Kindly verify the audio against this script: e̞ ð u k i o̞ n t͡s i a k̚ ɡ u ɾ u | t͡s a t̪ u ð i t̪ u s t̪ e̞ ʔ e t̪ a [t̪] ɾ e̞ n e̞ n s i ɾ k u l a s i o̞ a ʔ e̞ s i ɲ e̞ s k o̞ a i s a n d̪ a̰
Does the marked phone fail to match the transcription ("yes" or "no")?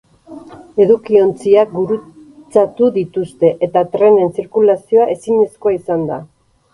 no